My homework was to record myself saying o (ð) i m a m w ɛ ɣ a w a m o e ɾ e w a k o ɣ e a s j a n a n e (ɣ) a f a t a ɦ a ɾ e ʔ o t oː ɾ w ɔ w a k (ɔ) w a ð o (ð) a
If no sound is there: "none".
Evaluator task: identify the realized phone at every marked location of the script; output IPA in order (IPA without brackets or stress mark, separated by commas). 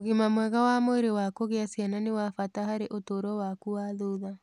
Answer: ɣ, w, u, ð